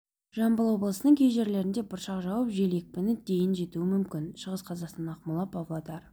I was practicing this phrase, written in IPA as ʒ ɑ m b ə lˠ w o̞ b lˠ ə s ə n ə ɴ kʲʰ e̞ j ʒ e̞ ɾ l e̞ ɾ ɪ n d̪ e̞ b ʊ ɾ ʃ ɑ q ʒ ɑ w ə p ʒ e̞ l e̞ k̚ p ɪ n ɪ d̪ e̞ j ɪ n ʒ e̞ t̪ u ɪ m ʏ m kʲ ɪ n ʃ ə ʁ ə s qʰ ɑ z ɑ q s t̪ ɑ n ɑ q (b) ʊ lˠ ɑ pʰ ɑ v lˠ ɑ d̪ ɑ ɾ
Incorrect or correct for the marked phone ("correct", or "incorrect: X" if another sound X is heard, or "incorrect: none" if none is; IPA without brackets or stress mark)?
incorrect: m